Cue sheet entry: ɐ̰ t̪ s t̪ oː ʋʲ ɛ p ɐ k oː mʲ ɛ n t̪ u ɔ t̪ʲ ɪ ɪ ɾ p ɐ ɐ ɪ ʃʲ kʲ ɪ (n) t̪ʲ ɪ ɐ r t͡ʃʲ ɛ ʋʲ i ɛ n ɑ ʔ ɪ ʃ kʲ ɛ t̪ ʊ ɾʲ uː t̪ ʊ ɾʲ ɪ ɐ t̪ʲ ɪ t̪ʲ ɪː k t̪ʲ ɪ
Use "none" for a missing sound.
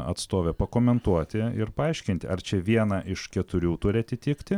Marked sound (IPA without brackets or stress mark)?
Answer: n